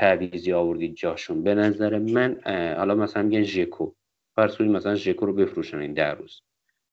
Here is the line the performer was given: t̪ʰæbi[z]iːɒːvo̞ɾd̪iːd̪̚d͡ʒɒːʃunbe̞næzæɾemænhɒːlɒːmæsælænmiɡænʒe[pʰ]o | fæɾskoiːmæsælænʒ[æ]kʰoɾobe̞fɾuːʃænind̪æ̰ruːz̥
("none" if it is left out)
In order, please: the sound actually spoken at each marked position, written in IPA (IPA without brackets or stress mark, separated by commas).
z, kʰ, e